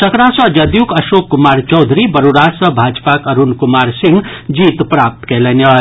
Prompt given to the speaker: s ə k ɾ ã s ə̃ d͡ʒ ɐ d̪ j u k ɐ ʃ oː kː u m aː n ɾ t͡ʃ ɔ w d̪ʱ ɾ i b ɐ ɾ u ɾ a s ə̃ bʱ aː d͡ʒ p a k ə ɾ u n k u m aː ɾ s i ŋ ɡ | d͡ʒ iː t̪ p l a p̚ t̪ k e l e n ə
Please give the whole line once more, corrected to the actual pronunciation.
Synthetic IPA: s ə k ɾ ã s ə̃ d͡ʒ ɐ d̪ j u k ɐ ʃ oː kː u m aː ɾ t͡ʃ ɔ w d̪ʱ ɾ i b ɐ ɾ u ɾ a s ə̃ bʱ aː d͡ʒ p a k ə ɾ u n k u m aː ɾ s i ŋ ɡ | d͡ʒ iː t̪ p ɾ a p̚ t̪ k e l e n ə